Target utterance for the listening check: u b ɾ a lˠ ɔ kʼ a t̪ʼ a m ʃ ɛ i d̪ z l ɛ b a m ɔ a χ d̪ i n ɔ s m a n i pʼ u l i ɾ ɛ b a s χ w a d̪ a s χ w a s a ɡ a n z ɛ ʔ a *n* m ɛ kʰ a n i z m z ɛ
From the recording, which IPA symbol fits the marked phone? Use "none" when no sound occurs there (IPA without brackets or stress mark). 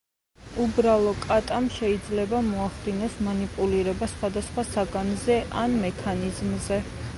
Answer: n